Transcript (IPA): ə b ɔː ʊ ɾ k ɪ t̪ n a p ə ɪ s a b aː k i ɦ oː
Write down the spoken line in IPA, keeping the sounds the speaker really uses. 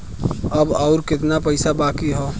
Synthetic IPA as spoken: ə b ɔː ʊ ɾ k ɪ t̪ n a p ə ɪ s a b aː k i ɦ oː